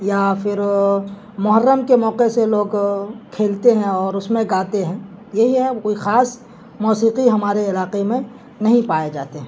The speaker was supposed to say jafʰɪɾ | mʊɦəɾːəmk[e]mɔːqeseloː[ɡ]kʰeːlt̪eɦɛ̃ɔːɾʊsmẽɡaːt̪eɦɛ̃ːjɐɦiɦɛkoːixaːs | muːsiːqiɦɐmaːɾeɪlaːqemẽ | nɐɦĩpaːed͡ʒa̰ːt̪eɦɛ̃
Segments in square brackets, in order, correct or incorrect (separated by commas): correct, correct